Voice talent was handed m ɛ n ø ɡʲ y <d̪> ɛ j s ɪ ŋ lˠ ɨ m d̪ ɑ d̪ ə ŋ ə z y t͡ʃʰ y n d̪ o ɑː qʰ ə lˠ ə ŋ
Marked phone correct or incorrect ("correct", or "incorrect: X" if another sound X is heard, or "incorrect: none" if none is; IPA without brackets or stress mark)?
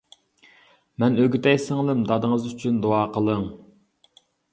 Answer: incorrect: t̪